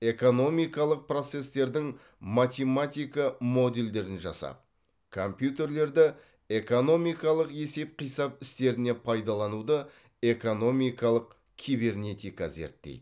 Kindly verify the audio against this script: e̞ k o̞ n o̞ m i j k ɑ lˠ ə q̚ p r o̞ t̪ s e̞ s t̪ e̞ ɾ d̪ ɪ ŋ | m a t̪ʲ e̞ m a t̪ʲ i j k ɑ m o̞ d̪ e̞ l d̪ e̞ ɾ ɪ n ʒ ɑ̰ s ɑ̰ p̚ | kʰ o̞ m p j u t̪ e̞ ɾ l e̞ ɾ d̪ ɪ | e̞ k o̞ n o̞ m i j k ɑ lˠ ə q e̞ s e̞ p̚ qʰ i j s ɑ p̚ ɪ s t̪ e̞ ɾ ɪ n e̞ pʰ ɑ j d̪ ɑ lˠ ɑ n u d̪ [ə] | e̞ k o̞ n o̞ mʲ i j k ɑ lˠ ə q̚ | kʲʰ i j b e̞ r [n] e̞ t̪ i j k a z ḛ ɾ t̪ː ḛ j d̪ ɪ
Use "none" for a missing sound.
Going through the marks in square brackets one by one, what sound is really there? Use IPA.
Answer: ə, n

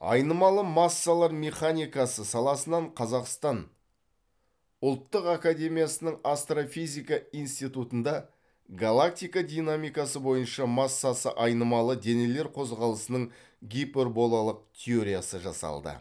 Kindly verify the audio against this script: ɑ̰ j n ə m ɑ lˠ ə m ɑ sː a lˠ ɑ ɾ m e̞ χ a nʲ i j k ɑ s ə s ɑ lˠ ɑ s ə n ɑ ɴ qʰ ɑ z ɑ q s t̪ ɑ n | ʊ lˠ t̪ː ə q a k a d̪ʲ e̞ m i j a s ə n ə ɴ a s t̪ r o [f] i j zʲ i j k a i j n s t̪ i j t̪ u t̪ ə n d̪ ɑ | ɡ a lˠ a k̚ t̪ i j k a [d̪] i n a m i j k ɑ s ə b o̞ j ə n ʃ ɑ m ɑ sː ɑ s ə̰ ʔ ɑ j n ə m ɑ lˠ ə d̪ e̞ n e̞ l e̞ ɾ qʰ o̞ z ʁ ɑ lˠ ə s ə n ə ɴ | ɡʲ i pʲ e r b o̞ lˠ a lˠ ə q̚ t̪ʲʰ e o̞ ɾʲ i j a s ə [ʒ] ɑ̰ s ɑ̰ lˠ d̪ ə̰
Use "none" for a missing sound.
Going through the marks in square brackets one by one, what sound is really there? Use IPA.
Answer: f, d̪, ʒ

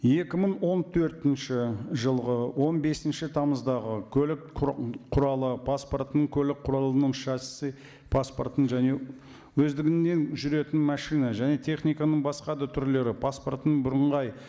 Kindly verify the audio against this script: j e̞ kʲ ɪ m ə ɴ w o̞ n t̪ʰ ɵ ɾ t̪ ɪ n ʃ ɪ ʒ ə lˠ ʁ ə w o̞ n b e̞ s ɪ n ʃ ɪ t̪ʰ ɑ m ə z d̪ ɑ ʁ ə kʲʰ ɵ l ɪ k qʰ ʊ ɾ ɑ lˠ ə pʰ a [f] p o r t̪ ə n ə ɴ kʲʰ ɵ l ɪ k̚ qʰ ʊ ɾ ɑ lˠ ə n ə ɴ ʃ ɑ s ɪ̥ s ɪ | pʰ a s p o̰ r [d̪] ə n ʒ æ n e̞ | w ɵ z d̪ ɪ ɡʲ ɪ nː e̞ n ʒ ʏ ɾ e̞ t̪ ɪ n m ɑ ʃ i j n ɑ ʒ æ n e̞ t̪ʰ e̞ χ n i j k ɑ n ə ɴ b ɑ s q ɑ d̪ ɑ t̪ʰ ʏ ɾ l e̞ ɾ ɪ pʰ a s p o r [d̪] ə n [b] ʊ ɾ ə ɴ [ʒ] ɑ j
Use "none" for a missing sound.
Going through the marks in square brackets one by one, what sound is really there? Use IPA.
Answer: s, t̪, t̪, b, ʁ

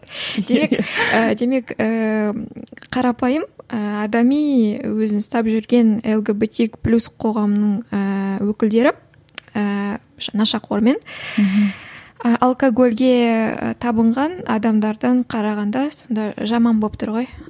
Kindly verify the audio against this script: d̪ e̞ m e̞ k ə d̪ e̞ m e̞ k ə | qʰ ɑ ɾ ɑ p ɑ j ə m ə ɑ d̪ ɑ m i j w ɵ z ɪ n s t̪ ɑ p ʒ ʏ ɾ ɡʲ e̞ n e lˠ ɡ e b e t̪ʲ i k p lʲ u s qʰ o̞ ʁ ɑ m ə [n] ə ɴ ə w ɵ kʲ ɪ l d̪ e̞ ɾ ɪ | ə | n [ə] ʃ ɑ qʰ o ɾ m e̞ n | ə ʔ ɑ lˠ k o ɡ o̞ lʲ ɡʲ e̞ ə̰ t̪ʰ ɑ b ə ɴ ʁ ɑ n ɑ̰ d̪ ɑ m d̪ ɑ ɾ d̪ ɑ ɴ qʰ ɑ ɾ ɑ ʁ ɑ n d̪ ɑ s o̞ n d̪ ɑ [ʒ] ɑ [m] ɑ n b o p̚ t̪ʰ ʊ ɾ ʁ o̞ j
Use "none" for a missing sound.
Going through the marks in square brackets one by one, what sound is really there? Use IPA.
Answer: n, ɑ, ʒ, m

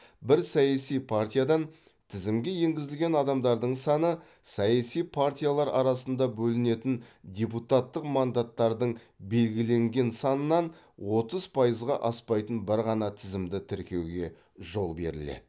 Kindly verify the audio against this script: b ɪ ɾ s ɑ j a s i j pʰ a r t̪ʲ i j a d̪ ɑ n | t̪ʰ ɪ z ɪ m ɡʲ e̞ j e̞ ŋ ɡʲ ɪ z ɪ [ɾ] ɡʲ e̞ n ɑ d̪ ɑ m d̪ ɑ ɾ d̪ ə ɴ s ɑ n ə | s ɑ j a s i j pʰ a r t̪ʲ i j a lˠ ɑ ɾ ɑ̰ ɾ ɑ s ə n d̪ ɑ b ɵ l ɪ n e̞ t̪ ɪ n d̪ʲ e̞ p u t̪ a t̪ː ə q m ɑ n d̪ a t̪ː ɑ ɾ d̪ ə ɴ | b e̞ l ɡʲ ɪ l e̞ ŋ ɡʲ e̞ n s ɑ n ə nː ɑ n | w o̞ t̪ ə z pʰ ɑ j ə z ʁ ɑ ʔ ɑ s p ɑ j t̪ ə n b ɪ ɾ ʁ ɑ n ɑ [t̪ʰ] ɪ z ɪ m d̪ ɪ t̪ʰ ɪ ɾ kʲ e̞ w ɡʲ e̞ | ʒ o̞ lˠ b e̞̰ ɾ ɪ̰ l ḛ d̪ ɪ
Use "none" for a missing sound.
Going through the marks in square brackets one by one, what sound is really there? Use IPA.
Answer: l, t̪ʰ

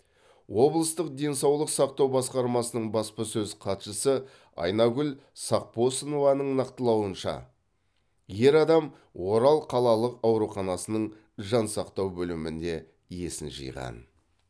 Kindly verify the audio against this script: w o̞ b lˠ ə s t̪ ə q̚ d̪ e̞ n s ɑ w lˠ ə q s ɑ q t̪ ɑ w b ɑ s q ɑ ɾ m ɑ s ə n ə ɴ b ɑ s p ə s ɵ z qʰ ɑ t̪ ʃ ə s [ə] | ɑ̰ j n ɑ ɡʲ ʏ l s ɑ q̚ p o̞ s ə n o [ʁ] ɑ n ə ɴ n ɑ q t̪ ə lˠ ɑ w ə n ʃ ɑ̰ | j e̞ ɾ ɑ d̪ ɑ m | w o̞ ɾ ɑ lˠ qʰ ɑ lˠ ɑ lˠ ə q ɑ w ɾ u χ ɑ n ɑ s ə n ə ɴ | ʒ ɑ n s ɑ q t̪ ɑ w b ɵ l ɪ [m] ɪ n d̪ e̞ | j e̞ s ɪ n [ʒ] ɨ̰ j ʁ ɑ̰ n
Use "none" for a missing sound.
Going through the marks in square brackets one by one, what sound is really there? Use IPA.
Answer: ə, v, m, ʒ

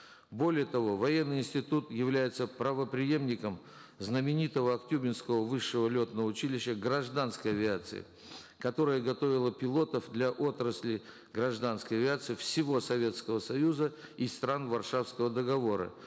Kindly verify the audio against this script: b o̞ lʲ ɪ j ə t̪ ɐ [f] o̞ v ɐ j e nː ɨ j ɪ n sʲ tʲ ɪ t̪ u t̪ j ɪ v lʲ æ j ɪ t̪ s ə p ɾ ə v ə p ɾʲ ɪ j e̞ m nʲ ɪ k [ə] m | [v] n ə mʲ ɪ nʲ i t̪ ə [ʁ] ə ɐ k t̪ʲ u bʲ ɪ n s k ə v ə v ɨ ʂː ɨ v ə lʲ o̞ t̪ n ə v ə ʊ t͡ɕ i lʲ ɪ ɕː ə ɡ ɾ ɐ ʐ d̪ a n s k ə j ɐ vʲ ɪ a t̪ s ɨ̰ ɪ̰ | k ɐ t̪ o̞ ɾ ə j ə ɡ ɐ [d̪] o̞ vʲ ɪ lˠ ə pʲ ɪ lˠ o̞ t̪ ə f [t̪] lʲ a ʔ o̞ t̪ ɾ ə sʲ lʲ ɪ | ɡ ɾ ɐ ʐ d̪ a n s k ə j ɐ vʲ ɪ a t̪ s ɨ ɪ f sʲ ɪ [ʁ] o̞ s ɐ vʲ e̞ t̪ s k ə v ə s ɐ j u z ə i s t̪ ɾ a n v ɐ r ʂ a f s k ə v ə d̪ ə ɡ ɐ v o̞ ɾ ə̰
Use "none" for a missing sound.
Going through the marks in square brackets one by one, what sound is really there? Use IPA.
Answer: v, ə, z, v, t̪, d̪, v

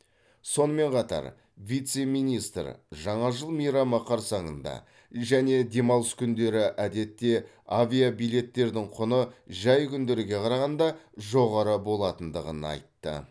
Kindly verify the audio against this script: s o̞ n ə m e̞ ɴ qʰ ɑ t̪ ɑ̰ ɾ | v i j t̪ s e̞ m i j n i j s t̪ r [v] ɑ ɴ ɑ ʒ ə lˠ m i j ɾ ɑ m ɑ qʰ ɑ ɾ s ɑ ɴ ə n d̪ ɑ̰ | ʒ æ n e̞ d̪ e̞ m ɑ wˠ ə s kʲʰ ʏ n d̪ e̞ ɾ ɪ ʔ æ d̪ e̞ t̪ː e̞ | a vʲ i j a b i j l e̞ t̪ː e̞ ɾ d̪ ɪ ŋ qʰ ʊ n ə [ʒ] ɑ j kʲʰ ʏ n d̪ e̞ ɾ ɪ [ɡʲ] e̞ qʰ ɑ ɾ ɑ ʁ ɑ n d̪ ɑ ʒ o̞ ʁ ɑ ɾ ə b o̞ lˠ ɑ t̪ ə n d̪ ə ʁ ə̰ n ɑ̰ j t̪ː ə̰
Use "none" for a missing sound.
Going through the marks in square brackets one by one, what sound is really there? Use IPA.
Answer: ʒ, ʒ, ɡʲ

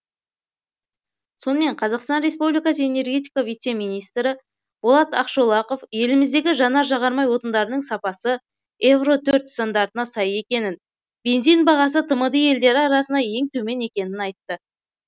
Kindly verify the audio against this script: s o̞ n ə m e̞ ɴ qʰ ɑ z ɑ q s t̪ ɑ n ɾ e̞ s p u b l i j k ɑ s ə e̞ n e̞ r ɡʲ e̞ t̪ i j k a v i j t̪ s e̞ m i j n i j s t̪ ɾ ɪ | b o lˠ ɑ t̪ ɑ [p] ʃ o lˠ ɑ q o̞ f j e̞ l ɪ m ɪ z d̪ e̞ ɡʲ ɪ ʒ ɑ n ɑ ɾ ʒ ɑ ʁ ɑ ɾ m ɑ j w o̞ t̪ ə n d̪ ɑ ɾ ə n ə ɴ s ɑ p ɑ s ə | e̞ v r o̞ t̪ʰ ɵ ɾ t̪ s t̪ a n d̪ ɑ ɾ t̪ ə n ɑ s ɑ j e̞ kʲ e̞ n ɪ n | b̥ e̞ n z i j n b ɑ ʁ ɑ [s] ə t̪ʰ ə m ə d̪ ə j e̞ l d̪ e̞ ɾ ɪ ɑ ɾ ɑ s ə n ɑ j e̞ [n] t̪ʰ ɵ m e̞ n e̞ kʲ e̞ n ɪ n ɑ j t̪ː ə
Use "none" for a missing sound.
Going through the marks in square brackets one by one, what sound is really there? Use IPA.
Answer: q, s, ŋ

